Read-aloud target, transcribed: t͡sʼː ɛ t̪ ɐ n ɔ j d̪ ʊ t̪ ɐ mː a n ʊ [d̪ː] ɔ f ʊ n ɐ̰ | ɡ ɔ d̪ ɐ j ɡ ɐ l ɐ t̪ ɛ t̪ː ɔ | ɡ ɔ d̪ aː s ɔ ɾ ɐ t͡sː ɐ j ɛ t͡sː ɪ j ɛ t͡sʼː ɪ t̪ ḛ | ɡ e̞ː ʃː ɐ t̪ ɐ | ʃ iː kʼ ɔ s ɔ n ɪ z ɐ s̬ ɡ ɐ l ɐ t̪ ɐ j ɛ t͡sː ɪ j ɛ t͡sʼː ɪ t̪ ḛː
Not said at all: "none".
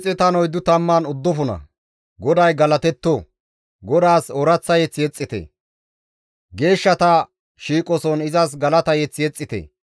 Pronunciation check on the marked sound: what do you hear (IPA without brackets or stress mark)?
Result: d̪ː